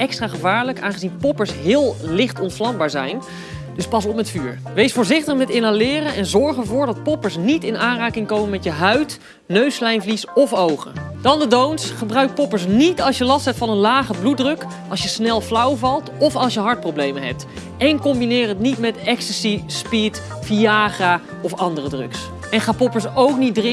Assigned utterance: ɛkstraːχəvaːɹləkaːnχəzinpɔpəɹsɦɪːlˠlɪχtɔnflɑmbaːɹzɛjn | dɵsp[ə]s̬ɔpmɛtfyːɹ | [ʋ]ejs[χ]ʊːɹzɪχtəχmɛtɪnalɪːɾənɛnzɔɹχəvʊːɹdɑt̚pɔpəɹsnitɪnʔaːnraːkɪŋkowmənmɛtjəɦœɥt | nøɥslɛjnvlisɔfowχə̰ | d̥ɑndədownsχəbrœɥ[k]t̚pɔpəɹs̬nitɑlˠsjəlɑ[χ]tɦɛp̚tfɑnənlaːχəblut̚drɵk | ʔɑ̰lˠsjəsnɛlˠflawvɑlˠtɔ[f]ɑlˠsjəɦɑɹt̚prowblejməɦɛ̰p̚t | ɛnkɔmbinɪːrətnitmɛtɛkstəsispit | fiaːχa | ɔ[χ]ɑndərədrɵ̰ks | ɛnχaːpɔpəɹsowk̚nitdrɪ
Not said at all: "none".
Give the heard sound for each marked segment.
ɑ, ʋ, f, k, s, f, f

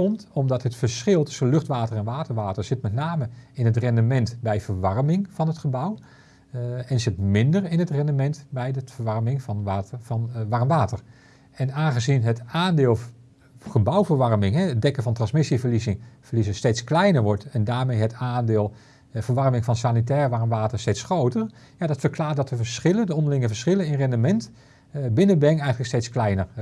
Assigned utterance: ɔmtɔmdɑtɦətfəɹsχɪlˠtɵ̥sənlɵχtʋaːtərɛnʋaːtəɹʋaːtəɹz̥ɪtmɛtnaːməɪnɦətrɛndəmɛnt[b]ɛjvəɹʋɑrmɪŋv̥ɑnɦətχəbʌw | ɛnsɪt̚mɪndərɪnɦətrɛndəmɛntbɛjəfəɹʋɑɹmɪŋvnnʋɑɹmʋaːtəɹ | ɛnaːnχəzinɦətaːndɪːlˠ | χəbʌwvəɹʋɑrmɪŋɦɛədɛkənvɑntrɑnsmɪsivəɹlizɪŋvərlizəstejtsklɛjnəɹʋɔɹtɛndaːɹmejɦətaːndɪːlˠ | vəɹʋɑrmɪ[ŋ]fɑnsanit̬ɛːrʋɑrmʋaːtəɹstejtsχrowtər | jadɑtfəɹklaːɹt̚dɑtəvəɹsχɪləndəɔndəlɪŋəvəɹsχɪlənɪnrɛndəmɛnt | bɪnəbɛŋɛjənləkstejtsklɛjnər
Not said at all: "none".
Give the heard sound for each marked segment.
b, ŋ

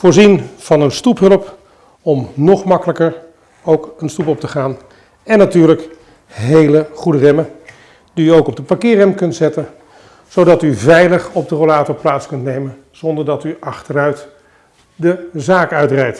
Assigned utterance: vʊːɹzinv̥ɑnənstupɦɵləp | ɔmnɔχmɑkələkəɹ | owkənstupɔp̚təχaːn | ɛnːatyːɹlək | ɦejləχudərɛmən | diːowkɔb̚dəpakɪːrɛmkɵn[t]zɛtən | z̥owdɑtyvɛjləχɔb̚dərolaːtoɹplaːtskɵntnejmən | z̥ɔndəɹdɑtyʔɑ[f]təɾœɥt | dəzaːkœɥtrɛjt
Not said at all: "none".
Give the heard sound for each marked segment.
t, χ

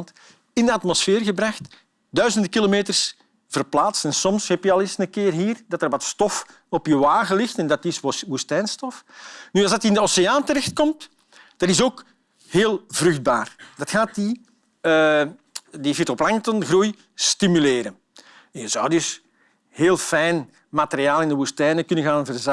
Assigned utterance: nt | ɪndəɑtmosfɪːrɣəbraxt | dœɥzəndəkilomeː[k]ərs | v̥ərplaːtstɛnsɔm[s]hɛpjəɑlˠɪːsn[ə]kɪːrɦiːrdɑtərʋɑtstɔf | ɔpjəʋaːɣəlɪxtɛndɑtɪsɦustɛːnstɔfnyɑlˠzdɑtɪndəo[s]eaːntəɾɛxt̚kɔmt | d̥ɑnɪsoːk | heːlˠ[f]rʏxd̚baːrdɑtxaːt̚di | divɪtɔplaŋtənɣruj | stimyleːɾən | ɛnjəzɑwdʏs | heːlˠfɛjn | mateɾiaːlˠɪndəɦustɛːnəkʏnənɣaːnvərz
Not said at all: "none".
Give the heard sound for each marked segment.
t, s, ə, s, v

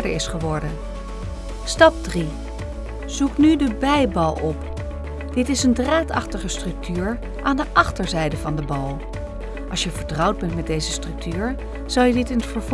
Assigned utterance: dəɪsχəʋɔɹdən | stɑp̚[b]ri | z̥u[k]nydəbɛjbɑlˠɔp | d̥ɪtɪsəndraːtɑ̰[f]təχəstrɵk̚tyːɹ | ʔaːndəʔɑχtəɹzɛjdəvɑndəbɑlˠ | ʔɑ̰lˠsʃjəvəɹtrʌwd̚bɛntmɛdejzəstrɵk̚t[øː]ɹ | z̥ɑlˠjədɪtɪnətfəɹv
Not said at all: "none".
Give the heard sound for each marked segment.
d, k, χ, yː

